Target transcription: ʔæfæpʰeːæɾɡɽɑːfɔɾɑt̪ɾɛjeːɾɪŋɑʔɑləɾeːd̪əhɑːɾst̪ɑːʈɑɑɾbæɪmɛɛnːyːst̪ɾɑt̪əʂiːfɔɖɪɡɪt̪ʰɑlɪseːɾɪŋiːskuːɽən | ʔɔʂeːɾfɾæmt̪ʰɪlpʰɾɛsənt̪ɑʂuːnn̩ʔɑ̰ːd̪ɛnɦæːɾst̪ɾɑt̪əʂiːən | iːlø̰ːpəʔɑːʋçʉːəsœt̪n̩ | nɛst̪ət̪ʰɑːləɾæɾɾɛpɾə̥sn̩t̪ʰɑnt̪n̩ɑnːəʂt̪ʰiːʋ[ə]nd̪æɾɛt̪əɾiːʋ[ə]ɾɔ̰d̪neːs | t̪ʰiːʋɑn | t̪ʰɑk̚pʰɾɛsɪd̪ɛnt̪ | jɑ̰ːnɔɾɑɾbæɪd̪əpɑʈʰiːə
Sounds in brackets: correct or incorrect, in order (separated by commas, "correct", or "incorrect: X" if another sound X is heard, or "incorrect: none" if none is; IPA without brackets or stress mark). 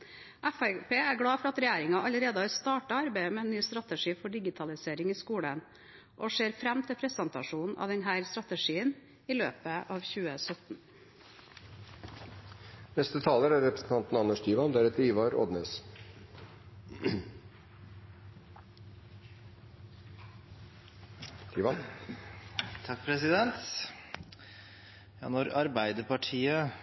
incorrect: ɑ, incorrect: ɑ